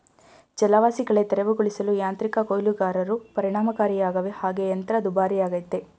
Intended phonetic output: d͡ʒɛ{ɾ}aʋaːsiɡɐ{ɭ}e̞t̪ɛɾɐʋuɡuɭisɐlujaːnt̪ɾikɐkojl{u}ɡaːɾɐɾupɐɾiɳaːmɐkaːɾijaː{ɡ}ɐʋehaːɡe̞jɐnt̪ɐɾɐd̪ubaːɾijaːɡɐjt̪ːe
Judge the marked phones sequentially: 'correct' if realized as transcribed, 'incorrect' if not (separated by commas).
incorrect, correct, correct, correct